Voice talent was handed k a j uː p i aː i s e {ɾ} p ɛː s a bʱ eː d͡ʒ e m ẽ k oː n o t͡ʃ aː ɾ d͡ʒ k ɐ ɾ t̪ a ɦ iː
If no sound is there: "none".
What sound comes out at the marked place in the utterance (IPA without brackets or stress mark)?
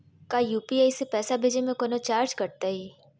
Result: none